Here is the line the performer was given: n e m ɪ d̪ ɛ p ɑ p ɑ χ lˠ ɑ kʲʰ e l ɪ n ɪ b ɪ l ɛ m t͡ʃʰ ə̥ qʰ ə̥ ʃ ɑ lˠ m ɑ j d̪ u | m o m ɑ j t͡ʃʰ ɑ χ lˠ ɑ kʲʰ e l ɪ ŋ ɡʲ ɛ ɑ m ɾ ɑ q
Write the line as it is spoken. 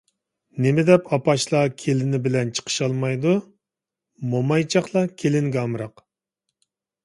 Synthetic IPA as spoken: n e m ɪ d̪ ɛ p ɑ p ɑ ʃ lˠ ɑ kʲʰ e l ɪ n ɪ b ɪ l ɛ n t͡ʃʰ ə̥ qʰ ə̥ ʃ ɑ lˠ m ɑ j d̪ u | m o m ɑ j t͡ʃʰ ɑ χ lˠ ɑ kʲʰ e l ɪ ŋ ɡʲ ɛ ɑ m ɾ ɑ q

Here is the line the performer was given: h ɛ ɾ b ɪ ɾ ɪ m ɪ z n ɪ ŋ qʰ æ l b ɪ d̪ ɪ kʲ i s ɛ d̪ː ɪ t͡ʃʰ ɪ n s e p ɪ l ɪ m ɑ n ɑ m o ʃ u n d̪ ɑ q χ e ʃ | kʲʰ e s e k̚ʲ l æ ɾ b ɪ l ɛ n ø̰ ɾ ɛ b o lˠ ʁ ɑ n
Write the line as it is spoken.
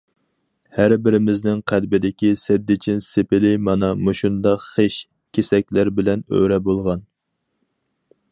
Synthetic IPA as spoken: h æ ɾ b ɪ ɾ ɪ m ɪ z n ɪ ŋ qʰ æ l b ɪ d̪ ɪ kʲ i s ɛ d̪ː ɪ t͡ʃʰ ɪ n s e p ɪ l ɪ m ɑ n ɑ m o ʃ u n d̪ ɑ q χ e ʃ | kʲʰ e s ɛ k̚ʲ l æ ɾ b ɪ l ɛ n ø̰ ɾ ɛ b o lˠ ʁ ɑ n

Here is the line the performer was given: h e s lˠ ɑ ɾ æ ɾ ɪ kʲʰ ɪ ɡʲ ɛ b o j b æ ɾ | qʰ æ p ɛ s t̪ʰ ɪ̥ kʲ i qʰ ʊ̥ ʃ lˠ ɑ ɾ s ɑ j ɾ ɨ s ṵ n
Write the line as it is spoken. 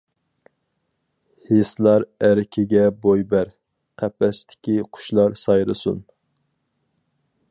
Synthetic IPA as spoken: h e s lˠ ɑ ɾ æ ɾ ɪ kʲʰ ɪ ɡʲ ɛ b o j b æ ɾ | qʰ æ p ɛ s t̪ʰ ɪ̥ kʲ i qʰ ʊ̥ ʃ lˠ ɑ ɾ s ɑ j ɾ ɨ s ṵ n

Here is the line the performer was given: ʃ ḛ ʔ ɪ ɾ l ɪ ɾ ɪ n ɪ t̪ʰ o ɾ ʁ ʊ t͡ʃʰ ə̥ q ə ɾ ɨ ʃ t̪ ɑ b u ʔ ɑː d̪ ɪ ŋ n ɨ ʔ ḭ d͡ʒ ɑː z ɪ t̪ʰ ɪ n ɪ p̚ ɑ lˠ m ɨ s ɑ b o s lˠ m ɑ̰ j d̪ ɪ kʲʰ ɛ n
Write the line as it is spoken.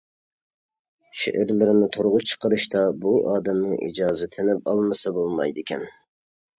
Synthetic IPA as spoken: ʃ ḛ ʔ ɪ ɾ l ɪ ɾ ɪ n ɪ t̪ʰ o ɾ ʁ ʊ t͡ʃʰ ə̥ q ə ɾ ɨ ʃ t̪ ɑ b u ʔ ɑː d̪ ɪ m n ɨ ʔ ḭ d͡ʒ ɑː z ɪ t̪ʰ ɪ n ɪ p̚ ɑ lˠ m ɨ s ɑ b o lˠ m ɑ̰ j d̪ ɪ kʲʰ ɛ n

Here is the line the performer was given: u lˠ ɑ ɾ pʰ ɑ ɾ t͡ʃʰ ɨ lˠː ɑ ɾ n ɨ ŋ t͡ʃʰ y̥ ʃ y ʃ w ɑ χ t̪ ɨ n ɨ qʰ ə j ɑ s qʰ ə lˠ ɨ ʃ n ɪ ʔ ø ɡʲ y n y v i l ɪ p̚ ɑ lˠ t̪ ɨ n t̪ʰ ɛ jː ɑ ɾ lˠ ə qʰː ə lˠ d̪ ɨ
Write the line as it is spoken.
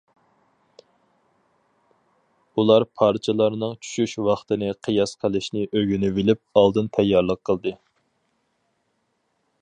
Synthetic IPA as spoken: u lˠ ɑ ɾ pʰ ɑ ɾ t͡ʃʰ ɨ lˠ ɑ ɾ n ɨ ŋ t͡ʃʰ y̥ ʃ y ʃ w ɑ χ t̪ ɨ n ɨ qʰ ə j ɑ s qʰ ə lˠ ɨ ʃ n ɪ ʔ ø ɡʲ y n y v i l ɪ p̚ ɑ lˠ d̪ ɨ n t̪ʰ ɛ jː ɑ ɾ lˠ ə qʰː ə lˠ d̪ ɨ

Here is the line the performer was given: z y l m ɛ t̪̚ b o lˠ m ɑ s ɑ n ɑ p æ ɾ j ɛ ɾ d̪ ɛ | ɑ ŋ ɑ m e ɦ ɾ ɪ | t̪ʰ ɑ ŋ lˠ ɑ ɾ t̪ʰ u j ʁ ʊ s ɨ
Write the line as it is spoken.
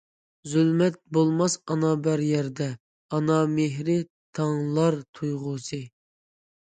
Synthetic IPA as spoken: z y l m ɛ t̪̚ b o lˠ m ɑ s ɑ n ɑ b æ ɾ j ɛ ɾ d̪ ɛ | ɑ n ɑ m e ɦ ɾ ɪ | t̪ʰ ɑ ŋ lˠ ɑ ɾ t̪ʰ u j ʁ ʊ s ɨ

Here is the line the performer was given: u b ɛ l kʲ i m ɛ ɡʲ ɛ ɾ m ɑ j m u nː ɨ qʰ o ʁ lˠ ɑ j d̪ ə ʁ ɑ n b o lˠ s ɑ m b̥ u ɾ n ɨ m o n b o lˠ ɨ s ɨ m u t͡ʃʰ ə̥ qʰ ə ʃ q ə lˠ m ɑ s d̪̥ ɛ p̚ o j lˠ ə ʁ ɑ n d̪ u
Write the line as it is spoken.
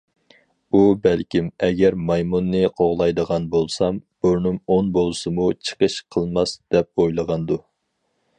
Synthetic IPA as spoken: u b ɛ l kʲ i m ɛ ɡʲ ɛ ɾ m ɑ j m u nː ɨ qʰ o ʁ lˠ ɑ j d̪ ə ʁ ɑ n b o lˠ s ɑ m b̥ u ɾ n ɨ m o n b o lˠ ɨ s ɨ m u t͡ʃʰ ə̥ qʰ ə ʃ qʰ ə lˠ m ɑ s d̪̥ ɛ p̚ o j lˠ ə ʁ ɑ n d̪ u

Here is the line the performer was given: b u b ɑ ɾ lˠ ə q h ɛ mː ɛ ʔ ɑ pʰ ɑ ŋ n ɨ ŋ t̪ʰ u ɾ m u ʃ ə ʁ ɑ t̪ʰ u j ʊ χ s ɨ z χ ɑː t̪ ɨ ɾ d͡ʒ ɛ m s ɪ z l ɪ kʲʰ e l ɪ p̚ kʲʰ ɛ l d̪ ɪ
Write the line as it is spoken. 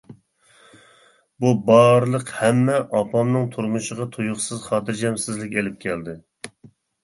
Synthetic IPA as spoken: b u b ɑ ɾ lˠ ə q h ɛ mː ɛ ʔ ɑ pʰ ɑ m n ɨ ŋ t̪ʰ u ɾ m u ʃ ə ʁ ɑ t̪ʰ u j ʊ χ s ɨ z χ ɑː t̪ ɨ ɾ d͡ʒ ɛ m s ɪ z l ɪ kʲ e l ɪ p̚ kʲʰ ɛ l d̪ ɪ

